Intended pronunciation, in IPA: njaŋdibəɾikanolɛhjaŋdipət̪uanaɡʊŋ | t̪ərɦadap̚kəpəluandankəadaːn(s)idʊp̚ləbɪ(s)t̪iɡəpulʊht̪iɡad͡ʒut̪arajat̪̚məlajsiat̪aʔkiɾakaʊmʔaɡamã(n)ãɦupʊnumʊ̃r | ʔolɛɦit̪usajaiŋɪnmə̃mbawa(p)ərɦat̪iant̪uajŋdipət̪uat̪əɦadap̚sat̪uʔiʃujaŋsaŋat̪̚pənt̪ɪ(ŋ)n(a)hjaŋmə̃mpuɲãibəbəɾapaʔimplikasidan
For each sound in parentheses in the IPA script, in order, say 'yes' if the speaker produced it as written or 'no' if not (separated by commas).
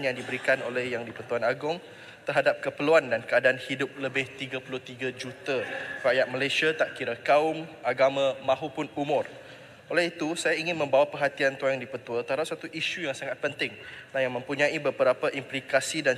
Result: no, no, no, yes, yes, yes